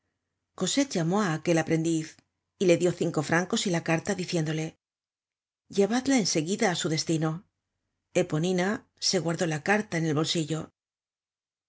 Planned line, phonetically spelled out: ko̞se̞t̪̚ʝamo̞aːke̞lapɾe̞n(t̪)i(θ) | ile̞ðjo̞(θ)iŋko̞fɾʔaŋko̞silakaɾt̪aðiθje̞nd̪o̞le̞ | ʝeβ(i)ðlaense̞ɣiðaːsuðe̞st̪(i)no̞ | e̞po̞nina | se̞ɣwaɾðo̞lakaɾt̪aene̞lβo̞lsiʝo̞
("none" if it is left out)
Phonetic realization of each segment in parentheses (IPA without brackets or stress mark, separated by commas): d̪, θ, θ, a, i